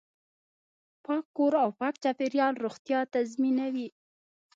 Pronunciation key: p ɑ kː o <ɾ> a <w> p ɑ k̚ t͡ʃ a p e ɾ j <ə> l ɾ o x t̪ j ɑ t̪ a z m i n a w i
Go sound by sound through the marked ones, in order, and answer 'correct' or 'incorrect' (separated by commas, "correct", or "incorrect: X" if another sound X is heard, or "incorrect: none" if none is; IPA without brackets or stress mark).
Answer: correct, correct, incorrect: ɑ